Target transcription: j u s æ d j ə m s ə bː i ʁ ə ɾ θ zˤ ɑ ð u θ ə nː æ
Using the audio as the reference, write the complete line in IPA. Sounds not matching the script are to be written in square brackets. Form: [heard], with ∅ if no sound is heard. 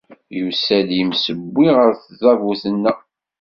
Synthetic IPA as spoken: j u s æ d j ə m s ə bː i ʁ ə ɾ θ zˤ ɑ [v] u θ ə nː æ